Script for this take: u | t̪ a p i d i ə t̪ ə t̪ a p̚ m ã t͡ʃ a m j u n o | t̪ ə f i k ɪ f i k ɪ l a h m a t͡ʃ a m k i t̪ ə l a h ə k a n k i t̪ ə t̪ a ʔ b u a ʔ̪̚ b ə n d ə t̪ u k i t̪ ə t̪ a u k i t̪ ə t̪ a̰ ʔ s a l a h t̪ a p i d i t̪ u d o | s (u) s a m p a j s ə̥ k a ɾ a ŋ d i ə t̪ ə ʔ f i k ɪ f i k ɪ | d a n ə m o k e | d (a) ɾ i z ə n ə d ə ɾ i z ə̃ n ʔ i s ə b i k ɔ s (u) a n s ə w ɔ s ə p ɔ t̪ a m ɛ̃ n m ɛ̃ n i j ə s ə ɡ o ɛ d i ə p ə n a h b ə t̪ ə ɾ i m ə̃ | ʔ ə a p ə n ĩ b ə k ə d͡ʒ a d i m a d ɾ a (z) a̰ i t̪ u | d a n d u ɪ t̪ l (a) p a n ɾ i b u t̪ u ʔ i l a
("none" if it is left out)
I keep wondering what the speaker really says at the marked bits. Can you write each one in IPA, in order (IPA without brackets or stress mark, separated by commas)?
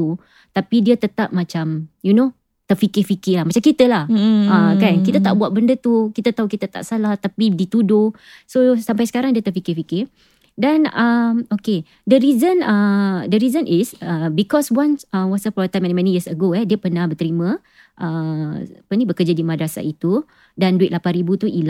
o, ə, w, s, a